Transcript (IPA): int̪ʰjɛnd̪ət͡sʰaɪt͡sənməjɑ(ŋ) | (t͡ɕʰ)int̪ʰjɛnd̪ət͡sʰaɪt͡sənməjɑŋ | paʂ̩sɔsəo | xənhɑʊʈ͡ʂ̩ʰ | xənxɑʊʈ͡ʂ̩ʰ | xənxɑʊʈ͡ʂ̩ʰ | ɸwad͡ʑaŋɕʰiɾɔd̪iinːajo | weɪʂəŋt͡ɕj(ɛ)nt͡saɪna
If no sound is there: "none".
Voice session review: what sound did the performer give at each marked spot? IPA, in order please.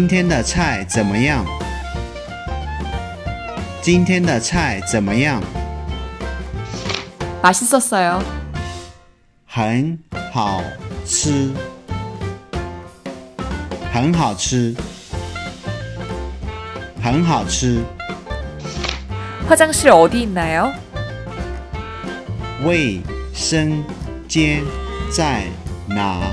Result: ŋ, t͡ɕ, ɛ

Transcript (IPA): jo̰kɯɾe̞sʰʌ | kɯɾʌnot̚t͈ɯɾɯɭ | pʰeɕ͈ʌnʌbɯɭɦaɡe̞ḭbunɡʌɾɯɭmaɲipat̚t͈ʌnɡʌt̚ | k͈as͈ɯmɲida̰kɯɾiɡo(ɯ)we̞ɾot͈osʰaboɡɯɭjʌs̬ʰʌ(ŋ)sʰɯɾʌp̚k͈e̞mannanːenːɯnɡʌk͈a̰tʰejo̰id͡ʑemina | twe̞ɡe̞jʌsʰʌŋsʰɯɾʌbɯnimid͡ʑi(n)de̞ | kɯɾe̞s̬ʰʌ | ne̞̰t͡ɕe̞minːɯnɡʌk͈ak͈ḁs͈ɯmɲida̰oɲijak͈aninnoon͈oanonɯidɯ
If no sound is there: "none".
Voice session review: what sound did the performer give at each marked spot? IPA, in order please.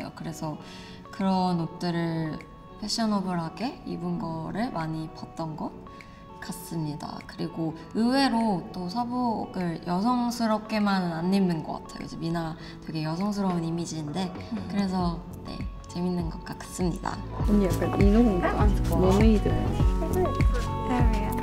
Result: ɯ, ŋ, n

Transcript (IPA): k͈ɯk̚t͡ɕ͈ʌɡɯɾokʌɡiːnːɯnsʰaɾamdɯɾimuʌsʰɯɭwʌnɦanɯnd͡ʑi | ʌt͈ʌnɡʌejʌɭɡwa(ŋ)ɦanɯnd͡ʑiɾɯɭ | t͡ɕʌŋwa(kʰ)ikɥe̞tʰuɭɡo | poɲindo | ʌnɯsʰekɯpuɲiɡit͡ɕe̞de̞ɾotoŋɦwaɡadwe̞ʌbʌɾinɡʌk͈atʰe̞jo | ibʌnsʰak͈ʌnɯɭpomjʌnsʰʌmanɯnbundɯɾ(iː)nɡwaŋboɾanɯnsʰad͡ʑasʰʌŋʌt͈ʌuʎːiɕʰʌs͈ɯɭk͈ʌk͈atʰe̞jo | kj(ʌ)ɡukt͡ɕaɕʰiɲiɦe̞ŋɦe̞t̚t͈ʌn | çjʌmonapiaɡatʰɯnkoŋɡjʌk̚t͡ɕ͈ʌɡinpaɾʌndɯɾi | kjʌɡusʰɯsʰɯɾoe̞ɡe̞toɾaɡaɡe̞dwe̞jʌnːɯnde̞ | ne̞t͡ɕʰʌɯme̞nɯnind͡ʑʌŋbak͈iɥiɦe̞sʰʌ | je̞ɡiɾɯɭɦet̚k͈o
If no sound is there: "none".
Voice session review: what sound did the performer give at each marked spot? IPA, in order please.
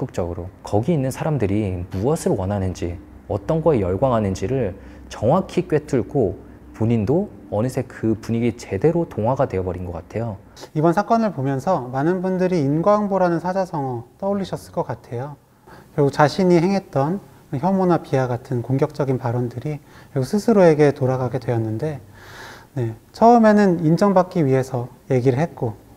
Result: ŋ, kʰ, iː, ʌ

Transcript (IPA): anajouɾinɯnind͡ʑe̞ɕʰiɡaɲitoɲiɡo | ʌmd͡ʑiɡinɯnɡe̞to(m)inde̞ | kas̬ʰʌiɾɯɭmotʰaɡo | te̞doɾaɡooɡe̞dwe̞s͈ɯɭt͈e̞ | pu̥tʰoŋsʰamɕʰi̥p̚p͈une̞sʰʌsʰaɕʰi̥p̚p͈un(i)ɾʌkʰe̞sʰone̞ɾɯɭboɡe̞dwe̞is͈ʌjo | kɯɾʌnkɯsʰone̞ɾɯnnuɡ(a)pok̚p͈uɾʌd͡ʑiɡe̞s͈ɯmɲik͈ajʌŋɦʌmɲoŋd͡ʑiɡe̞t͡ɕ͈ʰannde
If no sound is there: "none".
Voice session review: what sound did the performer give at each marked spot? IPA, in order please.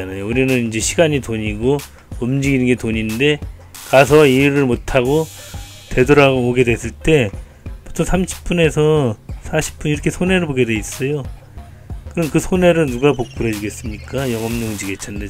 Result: ɲ, i, a

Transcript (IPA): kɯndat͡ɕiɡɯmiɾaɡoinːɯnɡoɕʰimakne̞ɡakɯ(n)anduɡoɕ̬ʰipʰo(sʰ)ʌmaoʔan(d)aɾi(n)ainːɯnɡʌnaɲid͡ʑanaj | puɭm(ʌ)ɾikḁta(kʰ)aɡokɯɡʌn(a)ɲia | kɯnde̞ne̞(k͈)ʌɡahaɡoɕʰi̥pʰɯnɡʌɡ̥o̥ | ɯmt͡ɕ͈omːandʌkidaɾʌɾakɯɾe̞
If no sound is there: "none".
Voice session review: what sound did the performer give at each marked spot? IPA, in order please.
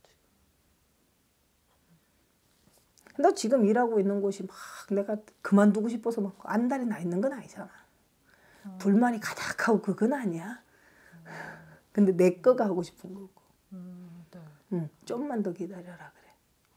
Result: m, sʰ, d, n, a, kʰ, a, k͈

